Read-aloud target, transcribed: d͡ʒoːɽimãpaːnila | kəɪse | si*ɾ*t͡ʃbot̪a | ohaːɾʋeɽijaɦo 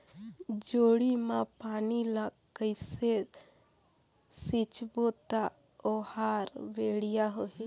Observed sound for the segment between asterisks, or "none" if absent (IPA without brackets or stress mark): none